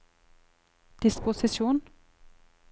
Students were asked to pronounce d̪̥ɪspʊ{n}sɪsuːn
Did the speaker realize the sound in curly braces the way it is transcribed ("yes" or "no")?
no